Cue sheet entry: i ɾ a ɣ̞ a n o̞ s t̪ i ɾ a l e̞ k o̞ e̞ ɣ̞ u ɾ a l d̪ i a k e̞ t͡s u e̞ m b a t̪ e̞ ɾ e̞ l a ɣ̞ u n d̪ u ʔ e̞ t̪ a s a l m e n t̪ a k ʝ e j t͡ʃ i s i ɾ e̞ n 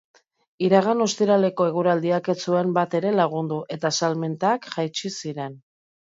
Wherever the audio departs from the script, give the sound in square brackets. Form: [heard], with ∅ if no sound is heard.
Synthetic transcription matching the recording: i ɾ a ɣ̞ a n o̞ s t̪ i ɾ a l e̞ k o̞ e̞ ɣ̞ u ɾ a l d̪ i a k e̞ t͡s u e̞ m b a t̪ e̞ ɾ e̞ l a ɣ̞ u n d̪ u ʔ e̞ t̪ a s a l m e n t̪ a k ʝ [a] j t͡ʃ i s i ɾ e̞ n